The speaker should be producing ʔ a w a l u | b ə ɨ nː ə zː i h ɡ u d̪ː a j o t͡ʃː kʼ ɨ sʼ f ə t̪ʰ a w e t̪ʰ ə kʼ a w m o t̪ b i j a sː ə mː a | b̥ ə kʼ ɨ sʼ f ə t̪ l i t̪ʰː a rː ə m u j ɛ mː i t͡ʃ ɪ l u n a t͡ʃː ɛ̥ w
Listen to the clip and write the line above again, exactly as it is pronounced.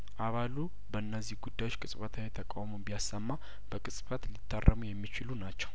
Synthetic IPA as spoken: ʔ a β a l u | b ə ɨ nː ə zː i h ɡ u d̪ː a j o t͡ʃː kʼ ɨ sʼ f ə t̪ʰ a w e t̪ʰ ə kʼ a w m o b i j a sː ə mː a | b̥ ə kʼ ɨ sʼ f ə t̪ l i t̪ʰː a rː ə m u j ɛ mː i t͡ʃ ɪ l u n a t͡ʃː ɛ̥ w